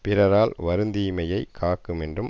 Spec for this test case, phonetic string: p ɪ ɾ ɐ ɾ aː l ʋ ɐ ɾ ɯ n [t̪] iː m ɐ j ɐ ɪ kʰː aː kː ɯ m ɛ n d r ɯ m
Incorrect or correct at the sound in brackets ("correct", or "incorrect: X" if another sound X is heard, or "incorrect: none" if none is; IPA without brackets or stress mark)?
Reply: incorrect: d̪